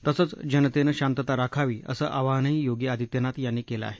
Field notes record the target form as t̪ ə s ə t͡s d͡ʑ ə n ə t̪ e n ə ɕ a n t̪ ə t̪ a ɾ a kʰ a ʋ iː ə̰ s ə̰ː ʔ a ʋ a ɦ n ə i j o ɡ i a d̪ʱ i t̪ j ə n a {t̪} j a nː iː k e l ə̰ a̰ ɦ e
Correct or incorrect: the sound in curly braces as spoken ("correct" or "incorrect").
correct